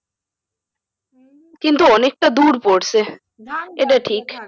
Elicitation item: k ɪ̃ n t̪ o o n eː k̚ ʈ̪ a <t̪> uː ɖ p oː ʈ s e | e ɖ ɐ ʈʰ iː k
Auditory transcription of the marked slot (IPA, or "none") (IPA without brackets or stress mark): d̪